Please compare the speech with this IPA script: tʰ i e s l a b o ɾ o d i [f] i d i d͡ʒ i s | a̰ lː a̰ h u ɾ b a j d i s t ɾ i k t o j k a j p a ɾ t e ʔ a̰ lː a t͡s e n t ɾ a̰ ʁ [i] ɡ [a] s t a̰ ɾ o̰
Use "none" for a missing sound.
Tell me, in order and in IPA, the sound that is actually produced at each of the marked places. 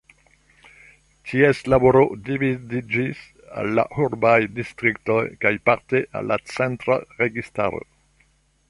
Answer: v, e, i

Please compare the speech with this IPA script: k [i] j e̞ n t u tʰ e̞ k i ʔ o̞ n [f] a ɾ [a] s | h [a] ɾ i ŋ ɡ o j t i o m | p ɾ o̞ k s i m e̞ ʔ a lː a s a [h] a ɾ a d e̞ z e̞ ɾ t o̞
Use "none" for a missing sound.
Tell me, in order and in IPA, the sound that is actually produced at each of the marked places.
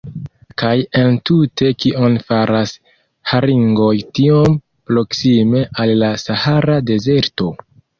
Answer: a, f, a, a, h

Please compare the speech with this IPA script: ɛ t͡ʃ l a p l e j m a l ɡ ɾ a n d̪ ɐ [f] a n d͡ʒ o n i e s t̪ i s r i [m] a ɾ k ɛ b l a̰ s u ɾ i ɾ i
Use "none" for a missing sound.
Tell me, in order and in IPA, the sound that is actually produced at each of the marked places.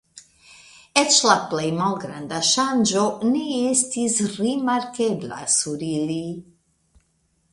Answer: ʃ, m

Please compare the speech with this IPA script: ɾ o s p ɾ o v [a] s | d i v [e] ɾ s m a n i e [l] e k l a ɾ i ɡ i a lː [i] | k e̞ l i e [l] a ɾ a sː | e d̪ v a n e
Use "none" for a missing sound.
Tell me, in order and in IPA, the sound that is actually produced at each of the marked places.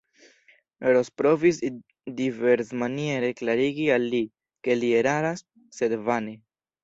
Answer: i, e, ɾ, i, ɾ

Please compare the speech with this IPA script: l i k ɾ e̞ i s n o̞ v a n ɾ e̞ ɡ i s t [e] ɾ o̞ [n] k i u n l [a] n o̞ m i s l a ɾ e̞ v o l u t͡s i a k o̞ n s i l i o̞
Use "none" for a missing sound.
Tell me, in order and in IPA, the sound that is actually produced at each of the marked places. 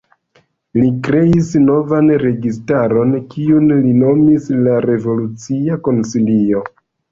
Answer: a, n, i

